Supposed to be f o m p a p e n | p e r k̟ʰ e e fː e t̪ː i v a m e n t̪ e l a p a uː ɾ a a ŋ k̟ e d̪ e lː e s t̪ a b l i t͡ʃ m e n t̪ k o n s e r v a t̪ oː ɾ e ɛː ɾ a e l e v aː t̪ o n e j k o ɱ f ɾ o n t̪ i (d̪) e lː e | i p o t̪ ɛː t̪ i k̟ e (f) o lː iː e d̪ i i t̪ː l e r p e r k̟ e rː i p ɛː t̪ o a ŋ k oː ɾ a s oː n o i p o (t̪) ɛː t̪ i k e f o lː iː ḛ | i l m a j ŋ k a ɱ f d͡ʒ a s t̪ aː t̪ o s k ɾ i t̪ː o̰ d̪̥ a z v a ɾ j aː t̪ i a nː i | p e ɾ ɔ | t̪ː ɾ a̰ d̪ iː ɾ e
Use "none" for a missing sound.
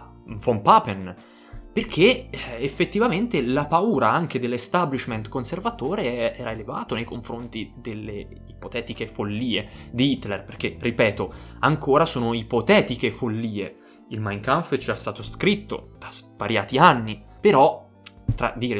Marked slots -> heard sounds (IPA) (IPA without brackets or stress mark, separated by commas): d̪, f, t̪